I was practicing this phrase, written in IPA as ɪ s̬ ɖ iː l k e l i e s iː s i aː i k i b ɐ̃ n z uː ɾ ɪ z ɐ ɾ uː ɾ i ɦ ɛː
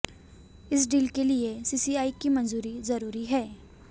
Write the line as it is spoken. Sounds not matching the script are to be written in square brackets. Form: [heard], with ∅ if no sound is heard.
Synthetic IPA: ɪ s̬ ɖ iː l k e l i e s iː s i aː i k i [m] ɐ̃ n z uː ɾ [i] z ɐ ɾ uː ɾ i ɦ ɛː